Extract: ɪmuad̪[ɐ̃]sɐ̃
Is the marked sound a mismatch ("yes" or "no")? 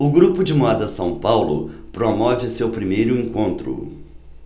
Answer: yes